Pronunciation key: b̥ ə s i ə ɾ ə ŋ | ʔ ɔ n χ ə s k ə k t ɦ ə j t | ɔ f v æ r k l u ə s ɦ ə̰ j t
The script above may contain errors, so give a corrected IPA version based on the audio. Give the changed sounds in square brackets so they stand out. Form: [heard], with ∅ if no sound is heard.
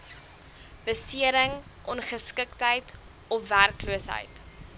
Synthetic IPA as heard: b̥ ə s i ə ɾ ə ŋ | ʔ ɔ n χ ə s k ə k t ɦ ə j t | ɔ f v æ r k l u ə s ɦ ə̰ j t